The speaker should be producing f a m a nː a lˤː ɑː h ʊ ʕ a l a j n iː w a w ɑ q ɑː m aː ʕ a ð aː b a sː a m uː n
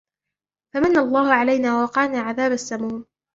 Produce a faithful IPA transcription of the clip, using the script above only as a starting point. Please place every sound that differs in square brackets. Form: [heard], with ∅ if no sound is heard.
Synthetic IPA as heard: f a m a nː a lˤː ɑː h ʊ ʕ a l a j n [aː] w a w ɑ q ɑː [n] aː ʕ a ð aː b a sː a m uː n